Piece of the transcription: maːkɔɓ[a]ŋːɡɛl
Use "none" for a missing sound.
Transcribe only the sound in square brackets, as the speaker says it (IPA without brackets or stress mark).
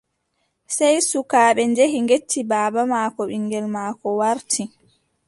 i